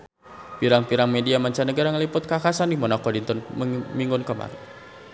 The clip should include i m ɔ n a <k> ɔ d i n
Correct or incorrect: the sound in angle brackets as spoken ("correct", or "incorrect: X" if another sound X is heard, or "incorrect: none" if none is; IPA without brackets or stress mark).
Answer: correct